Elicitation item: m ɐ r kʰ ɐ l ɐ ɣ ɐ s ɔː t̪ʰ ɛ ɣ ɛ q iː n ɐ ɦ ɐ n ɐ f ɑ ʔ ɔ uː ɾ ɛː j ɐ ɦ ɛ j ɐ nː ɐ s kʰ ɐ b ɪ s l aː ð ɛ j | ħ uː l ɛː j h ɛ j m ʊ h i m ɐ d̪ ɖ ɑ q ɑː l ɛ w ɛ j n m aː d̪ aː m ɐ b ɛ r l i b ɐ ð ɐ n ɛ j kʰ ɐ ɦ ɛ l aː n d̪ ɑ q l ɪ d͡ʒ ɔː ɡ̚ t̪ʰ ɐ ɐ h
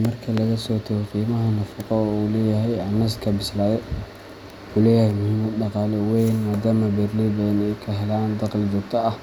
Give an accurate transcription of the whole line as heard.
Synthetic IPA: m ɐ r kʰ ɐ l ɐ ɣ ɐ s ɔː t̪ʰ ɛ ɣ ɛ q iː m ɐ ɦ ɐ n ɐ f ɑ q ɔ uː l ɛː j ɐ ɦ ɛ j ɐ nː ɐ s kʰ ɐ b ɪ s l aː ð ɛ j | ħ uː l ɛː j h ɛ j m ʊ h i m ɐ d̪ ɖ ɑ q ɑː l ɛ w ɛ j n m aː d̪ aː m ɐ b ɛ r l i b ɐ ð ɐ n ɛ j kʰ ɐ ɦ ɛ l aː n d̪ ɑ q l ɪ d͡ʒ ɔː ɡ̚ t̪ʰ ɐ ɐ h